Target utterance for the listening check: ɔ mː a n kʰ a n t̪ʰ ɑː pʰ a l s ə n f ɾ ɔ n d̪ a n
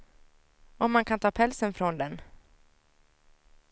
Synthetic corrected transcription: ɔ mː a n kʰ a n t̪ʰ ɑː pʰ ɛ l s ə n f ɾ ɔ n d̪ ɛ n